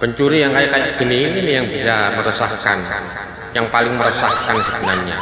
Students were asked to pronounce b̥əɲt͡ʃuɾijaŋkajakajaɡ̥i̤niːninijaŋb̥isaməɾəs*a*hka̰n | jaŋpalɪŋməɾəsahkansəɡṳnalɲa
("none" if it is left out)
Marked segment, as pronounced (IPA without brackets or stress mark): a